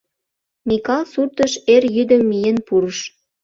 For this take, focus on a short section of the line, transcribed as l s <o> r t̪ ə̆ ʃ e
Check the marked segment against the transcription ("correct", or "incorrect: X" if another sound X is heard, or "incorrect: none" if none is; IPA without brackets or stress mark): incorrect: u